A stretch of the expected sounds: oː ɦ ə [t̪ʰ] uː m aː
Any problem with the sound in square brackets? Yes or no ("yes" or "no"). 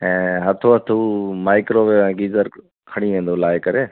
no